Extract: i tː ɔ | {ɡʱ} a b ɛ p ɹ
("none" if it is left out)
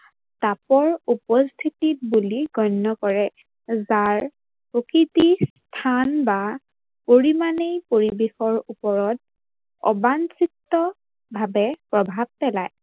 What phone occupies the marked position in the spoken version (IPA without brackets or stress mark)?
bʱ